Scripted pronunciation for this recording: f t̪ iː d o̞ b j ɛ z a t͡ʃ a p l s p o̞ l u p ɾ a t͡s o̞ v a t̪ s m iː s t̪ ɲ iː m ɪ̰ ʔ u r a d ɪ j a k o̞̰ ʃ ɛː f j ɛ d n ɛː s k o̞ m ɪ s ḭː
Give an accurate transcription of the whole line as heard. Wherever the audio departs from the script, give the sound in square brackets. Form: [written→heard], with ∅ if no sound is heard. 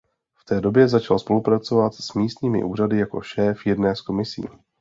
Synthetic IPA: f t̪ [iː→ɛː] d o̞ b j ɛ z a t͡ʃ a [p→∅] l s p o̞ l u p ɾ a t͡s o̞ v a t̪ s m iː s t̪ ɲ iː m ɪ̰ ʔ [u→uː] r a d ɪ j a k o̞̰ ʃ ɛː f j ɛ d n ɛː s k o̞ m ɪ s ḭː